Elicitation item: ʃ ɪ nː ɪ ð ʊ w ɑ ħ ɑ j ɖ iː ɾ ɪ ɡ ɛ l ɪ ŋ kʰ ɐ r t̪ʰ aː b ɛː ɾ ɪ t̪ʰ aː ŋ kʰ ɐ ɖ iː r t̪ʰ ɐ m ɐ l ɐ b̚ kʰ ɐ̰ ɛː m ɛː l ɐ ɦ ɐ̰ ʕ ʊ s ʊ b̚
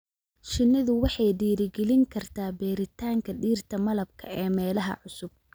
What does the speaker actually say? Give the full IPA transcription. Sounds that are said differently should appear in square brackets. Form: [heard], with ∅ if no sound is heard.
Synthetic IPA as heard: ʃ ɪ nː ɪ ð ʊ w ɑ ħ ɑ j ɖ iː ɾ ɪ ɡ ɛ l ɪ ŋ kʰ ɐ r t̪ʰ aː b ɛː ɾ ɪ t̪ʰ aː ŋ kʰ ɐ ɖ iː r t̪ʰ ɐ m ɐ l ɐ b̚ kʰ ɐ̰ ɛː m ɛː l ɐ ɦ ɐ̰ ʕ ʊ s ʊ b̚